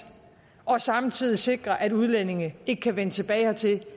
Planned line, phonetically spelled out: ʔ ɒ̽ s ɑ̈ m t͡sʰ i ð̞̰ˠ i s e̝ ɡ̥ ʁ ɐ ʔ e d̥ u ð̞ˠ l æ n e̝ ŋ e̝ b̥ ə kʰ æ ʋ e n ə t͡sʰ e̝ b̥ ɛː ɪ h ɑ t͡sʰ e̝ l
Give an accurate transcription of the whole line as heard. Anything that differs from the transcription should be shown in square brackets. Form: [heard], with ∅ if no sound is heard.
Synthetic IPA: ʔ ɒ̽ s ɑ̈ m t͡sʰ i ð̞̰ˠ i s e̝ ɡ̥ ʁ ɐ ʔ [æ] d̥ u ð̞ˠ l [e] n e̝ ŋ e̝ [ɡ̥] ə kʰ æ ʋ e n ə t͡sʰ e̝ b̥ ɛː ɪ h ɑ t͡sʰ e̝ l